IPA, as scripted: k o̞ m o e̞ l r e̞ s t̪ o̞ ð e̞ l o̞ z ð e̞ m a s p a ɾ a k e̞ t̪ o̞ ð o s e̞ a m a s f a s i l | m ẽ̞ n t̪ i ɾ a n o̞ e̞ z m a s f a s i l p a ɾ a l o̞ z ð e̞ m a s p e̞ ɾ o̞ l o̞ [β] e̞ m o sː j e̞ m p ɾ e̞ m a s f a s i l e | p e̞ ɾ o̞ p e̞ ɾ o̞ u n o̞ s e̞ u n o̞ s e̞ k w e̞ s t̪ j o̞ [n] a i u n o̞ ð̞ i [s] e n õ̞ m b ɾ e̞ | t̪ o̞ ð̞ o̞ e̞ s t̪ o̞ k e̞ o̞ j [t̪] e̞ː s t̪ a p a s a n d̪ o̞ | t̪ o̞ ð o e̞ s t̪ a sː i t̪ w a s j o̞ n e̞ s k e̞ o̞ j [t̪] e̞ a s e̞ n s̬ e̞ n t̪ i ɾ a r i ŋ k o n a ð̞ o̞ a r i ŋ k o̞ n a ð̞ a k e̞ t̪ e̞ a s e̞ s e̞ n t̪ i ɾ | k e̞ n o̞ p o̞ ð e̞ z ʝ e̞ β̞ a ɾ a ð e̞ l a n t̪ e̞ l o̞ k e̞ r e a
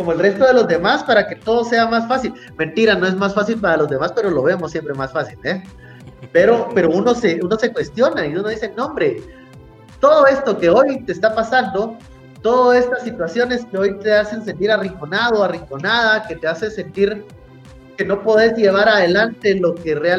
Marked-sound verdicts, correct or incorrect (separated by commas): correct, correct, correct, correct, correct